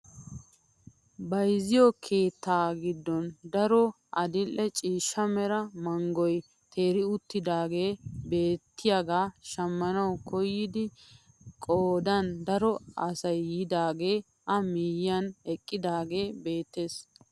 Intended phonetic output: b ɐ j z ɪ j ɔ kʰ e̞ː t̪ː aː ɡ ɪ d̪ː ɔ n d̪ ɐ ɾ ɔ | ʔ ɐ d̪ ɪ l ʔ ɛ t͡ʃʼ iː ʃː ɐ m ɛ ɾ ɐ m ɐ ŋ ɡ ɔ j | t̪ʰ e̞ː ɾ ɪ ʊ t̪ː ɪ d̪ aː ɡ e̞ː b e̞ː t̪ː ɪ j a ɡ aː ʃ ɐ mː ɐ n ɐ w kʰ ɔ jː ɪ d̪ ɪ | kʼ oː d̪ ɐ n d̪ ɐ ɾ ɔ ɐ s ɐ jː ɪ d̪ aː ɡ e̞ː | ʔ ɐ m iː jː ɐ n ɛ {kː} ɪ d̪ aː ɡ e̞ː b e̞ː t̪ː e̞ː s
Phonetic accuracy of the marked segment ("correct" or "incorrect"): incorrect